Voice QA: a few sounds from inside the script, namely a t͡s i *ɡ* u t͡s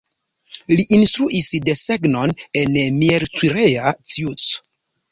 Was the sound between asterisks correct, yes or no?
no